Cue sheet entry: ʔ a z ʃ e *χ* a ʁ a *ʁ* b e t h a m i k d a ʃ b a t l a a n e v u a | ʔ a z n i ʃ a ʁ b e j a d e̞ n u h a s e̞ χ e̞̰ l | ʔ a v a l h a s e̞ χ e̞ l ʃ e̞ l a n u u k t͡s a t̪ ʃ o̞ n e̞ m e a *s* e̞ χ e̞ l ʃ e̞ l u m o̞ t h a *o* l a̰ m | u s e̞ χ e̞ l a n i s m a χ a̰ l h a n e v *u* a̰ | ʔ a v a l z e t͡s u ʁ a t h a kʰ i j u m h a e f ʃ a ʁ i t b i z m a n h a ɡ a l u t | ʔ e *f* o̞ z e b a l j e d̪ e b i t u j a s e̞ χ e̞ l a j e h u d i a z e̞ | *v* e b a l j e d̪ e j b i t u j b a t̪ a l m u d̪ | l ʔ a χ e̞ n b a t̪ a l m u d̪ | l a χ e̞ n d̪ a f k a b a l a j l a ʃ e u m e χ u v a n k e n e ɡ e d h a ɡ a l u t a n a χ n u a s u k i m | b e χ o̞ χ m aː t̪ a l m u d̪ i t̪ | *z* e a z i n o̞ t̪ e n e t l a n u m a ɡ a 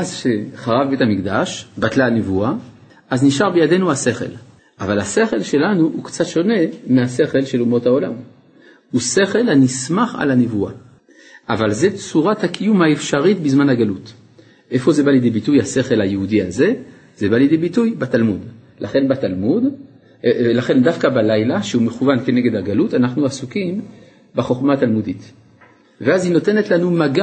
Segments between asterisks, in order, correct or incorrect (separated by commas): correct, incorrect, correct, correct, correct, correct, incorrect, incorrect